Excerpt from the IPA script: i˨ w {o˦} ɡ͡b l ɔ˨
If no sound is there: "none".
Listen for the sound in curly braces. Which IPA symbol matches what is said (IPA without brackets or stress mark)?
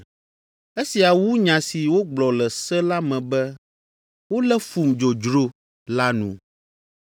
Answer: o˦